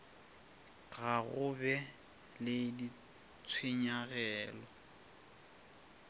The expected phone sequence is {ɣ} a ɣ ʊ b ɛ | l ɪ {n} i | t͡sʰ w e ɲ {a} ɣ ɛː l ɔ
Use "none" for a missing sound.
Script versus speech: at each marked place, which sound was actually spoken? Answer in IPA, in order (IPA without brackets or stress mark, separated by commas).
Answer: ɣ, d, a